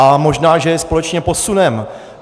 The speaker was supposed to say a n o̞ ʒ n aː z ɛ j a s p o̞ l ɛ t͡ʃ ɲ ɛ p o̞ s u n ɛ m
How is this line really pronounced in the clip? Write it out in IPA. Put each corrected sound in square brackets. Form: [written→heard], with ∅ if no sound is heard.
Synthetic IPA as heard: a [n→m] o̞ ʒ n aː [z→ʒ] ɛ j [a→ɛ] s p o̞ l ɛ t͡ʃ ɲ ɛ p o̞ s u n ɛ m